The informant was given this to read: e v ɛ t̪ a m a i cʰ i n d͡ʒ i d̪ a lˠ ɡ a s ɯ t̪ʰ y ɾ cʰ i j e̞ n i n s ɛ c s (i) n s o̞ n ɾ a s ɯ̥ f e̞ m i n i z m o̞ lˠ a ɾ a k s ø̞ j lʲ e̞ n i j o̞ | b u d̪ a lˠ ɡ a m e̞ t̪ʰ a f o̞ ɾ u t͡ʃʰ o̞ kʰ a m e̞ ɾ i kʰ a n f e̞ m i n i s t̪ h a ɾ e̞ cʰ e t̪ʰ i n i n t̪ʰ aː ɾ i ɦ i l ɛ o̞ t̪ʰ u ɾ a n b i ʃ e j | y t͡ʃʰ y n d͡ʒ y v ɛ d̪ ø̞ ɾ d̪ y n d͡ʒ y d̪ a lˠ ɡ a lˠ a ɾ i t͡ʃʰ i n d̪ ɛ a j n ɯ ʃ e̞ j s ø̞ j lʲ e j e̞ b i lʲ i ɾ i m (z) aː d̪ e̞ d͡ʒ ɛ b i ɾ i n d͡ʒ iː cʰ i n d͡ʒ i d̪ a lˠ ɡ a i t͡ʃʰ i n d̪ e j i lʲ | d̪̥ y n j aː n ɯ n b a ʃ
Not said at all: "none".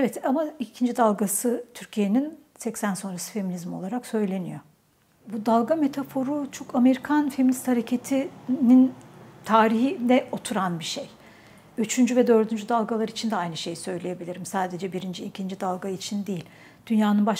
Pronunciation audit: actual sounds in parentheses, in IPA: æ, s

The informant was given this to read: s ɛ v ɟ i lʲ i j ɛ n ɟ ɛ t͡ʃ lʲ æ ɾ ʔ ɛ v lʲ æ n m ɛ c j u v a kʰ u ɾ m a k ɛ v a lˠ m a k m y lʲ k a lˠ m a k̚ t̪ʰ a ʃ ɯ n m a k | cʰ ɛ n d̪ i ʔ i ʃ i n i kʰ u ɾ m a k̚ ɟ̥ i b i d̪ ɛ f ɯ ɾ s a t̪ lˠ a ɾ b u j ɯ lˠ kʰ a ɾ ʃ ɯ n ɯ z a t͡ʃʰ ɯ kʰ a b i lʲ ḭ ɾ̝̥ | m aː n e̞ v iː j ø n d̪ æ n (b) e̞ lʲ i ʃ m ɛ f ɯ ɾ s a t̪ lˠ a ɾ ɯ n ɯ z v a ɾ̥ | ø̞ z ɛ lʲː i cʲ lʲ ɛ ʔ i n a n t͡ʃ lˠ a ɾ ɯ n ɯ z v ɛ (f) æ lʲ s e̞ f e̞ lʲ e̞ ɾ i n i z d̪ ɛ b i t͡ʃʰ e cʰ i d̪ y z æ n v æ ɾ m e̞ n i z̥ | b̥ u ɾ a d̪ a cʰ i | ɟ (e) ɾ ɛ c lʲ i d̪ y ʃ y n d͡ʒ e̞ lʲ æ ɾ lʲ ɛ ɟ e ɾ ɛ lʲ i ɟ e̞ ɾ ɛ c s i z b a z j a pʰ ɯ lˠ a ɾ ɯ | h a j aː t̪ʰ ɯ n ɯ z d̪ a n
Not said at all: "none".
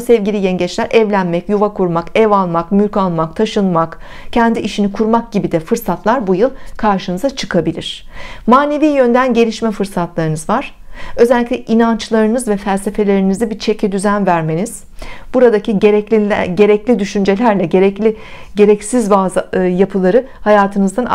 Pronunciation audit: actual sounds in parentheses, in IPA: ɟ, f, e

